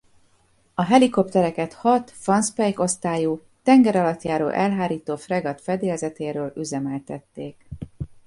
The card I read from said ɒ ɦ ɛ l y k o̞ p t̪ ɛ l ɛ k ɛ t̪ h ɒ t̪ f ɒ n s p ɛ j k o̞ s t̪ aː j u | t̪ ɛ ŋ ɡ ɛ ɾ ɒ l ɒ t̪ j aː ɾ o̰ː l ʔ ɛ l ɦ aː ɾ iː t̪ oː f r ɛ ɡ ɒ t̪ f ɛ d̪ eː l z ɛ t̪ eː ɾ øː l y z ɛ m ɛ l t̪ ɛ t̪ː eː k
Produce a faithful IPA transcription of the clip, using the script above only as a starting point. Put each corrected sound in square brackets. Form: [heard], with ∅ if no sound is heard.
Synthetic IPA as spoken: ɒ ɦ ɛ l [i] k o̞ p t̪ ɛ [ɾ] ɛ k ɛ t̪ h ɒ t̪ f ɒ n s p ɛ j k o̞ s t̪ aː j u | t̪ ɛ ŋ ɡ ɛ ɾ ɒ l ɒ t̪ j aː ɾ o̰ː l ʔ ɛ l ɦ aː ɾ iː t̪ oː f r ɛ ɡ ɒ t̪ f ɛ d̪ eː l z ɛ t̪ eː ɾ øː l y z ɛ m ɛ l t̪ ɛ t̪ː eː k